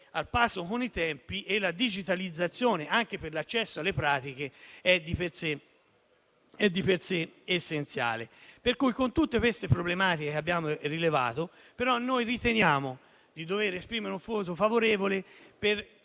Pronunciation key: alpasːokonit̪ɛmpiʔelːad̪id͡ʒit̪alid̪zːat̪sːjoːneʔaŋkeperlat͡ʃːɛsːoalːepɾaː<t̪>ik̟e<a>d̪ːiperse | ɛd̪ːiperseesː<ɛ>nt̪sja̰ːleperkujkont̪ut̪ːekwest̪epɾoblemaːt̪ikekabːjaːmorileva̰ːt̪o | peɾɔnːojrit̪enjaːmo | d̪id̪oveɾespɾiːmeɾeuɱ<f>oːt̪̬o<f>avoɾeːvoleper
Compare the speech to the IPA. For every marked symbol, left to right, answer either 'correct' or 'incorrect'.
correct, incorrect: ɛ, incorrect: e, correct, correct

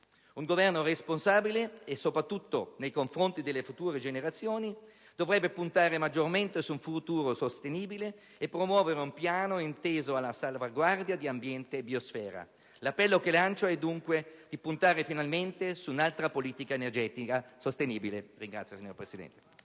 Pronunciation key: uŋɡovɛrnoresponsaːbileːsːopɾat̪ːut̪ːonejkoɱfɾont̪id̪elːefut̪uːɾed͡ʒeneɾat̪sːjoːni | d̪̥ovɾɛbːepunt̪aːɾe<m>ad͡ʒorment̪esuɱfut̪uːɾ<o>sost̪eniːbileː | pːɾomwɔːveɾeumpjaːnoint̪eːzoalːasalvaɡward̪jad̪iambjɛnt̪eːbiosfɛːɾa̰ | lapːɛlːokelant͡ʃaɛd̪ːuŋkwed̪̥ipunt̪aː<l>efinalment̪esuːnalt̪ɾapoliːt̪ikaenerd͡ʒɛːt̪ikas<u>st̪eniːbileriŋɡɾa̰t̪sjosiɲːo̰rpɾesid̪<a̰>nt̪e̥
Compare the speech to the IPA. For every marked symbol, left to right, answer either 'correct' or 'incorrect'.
correct, correct, incorrect: ɾ, incorrect: o, incorrect: ɛ̰

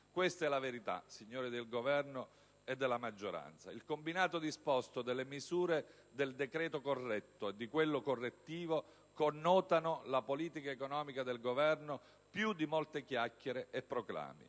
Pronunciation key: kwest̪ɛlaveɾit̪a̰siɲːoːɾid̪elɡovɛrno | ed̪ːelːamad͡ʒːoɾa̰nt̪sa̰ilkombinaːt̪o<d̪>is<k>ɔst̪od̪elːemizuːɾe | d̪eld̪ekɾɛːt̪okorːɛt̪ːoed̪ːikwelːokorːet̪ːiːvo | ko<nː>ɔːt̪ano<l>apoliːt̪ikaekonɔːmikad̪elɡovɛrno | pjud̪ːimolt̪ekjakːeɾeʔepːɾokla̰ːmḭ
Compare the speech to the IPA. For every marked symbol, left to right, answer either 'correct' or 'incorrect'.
correct, incorrect: p, correct, correct

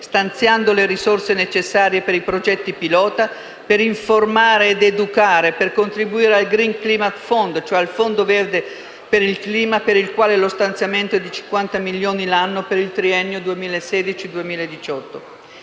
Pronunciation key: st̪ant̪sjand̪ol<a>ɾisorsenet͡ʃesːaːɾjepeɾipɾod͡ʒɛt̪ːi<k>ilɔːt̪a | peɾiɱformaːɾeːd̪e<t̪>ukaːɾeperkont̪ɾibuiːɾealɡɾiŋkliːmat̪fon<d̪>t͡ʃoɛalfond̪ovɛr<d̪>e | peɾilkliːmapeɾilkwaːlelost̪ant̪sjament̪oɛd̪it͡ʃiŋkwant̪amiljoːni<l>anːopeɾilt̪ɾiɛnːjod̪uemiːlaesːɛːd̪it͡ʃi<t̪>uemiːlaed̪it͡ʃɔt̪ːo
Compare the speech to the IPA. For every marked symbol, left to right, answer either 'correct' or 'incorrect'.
incorrect: e, incorrect: p, incorrect: d̪, correct, correct, correct, incorrect: d̪

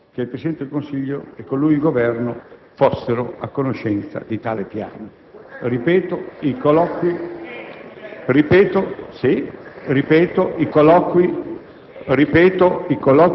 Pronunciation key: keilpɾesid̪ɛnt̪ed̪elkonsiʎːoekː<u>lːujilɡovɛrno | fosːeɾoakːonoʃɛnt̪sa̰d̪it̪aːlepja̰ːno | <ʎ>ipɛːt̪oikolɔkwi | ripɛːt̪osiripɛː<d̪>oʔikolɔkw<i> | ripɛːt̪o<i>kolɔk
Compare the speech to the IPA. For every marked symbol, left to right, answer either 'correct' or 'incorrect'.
incorrect: o, incorrect: r, incorrect: t̪, correct, correct

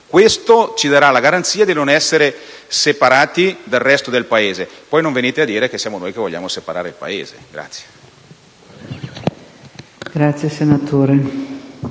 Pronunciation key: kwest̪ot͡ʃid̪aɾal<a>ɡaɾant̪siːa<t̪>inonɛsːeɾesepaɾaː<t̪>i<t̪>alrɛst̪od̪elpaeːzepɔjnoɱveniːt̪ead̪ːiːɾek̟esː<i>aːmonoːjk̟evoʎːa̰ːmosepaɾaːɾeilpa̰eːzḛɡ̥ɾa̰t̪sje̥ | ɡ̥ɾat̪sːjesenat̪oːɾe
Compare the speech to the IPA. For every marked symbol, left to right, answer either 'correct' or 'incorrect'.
correct, incorrect: d̪, correct, incorrect: d̪, incorrect: j

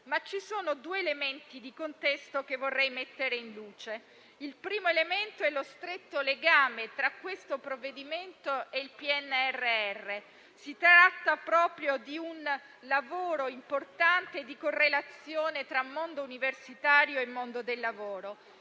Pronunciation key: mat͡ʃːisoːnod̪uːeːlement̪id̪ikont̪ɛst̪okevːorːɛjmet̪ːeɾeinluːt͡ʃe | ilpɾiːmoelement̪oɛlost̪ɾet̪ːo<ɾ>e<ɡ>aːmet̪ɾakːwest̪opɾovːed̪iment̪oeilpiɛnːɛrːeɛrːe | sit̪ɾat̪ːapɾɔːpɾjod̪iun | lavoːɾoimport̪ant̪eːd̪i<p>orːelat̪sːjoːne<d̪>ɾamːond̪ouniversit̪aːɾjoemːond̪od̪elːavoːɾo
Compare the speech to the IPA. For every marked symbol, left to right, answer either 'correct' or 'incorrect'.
incorrect: l, correct, incorrect: k, incorrect: t̪

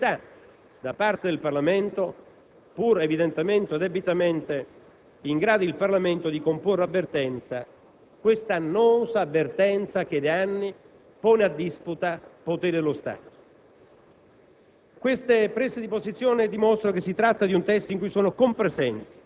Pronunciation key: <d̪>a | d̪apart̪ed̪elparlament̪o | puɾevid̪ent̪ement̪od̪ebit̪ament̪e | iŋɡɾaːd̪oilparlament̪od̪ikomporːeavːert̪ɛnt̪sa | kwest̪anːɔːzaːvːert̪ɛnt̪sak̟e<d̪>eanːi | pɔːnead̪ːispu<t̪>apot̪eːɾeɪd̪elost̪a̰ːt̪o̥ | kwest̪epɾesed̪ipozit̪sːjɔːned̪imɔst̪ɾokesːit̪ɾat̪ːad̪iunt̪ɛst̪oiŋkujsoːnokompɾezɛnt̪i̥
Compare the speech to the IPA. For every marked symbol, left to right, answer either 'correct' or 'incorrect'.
incorrect: t̪, correct, correct

